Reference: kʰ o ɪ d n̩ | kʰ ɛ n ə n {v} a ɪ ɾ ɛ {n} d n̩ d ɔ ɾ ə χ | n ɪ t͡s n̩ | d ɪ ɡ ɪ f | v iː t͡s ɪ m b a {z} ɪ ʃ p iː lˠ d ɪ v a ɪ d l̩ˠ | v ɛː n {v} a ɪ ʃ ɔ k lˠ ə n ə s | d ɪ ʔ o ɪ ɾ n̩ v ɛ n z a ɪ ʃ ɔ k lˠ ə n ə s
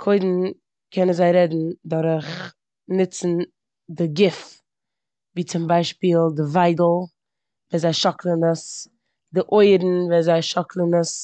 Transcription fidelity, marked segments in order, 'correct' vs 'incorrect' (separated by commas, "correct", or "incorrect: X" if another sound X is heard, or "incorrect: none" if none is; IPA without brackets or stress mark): incorrect: z, incorrect: none, incorrect: none, incorrect: z